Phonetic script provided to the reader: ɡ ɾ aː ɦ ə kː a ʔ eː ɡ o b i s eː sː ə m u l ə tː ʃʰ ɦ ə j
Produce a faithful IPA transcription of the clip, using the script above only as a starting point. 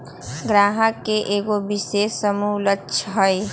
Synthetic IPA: ɡ ɾ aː ɦ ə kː e ʔ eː ɡ o b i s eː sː ə m u l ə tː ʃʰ ɦ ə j